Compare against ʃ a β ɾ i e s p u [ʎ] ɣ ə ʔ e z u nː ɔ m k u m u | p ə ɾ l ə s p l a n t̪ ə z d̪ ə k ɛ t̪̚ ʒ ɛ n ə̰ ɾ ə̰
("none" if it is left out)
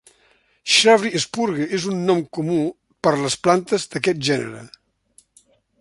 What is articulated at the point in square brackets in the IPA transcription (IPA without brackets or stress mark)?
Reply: ɾ